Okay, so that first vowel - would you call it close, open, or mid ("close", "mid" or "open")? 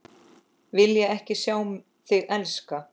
close